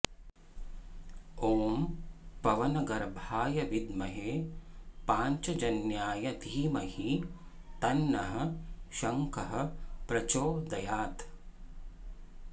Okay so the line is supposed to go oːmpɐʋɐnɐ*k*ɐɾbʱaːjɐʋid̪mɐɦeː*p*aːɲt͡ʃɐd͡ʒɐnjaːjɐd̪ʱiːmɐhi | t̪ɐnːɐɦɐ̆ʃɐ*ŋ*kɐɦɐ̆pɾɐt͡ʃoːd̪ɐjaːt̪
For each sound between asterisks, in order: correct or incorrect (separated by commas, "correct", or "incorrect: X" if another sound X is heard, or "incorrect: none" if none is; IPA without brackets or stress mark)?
incorrect: ɡ, correct, correct